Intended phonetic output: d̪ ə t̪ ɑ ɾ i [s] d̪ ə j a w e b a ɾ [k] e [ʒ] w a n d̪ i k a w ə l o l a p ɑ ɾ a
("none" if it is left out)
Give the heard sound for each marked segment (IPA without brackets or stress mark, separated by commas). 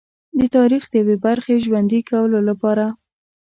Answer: x, x, ʒ